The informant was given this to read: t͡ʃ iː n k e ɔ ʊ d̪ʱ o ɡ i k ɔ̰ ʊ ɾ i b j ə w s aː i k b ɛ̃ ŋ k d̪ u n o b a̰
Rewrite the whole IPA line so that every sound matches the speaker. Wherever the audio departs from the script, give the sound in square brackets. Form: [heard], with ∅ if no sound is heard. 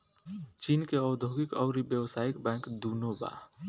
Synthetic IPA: t͡ʃ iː n k e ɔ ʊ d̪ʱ o ɡ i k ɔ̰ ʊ ɾ i b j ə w s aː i k b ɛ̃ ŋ k d̪ u n o b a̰